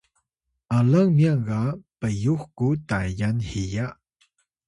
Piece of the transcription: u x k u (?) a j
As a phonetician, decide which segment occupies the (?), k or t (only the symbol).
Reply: t